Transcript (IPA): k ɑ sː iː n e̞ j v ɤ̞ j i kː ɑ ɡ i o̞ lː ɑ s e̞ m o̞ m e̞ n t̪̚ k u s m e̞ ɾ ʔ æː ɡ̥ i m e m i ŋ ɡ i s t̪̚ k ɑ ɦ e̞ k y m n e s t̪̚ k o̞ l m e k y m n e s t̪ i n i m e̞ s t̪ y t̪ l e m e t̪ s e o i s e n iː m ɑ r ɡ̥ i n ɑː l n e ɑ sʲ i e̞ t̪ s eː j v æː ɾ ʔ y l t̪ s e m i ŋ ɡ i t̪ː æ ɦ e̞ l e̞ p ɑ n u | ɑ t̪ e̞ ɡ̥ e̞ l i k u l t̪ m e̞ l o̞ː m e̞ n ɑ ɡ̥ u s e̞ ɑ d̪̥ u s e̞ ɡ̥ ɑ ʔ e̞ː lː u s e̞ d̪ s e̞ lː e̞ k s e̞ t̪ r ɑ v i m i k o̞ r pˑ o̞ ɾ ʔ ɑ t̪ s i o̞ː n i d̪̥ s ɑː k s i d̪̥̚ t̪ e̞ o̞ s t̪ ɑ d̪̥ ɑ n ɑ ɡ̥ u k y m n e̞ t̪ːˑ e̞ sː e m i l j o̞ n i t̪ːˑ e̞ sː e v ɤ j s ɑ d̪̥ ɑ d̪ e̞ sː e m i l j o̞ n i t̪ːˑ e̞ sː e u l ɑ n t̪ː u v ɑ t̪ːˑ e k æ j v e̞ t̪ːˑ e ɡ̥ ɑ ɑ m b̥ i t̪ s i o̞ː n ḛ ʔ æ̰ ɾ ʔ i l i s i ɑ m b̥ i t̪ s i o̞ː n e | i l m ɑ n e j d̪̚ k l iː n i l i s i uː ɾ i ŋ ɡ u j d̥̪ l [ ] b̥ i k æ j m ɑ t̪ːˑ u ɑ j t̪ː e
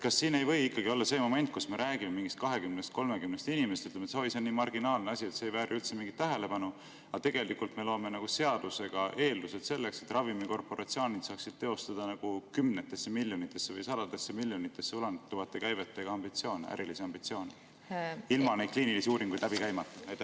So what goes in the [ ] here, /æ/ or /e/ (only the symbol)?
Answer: æ